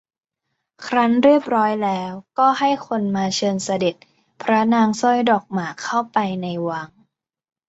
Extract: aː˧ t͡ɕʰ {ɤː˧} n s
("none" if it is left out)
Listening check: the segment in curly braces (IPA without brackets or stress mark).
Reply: ɤː˧